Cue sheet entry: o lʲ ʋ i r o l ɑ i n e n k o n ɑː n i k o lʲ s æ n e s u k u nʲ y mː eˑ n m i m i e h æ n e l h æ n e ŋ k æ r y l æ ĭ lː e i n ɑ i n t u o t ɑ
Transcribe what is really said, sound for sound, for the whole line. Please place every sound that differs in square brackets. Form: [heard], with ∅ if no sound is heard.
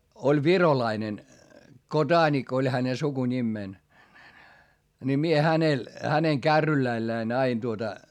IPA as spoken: o lʲ ʋ i r o l ɑ i n e n k o [d] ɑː n i k o lʲ [h] æ n e s u k u nʲ [i] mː eˑ n [n] i m i e h æ n e l h æ n e ŋ k æ [rː] y l æ ĭ lː [æ] i n ɑ i n t u o t ɑ